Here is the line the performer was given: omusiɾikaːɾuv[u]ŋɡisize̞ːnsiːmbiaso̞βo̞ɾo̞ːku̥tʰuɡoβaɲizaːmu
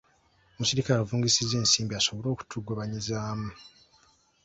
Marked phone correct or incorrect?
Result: incorrect